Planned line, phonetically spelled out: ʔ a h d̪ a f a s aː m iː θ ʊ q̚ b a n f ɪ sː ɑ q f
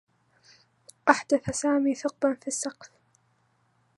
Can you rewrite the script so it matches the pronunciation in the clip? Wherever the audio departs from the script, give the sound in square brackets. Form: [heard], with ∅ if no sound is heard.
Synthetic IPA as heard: ʔ a [ħ] d̪ a [θ] a s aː m iː θ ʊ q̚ b a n f [i] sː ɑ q f